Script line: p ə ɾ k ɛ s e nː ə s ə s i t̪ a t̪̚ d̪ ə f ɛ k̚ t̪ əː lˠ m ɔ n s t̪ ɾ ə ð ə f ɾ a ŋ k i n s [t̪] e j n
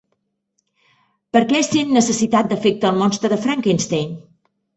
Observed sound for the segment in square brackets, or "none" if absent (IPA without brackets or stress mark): t̪